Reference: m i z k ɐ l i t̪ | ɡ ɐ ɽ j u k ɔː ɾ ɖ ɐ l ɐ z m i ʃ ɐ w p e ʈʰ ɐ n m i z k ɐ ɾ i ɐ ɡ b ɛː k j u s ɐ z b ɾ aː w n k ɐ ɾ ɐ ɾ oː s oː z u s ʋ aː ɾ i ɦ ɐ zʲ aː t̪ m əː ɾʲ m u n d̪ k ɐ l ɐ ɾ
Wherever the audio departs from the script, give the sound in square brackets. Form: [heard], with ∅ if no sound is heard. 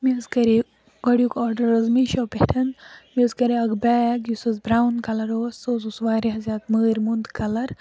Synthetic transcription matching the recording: m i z k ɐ [ɾ] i [∅] | ɡ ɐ ɽ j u k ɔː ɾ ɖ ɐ [ɾ] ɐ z m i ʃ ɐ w p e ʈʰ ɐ n m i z k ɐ ɾ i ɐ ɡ b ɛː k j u s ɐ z b ɾ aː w n k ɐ [l] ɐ ɾ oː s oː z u s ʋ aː ɾ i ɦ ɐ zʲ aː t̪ m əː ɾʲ m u n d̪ k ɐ l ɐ ɾ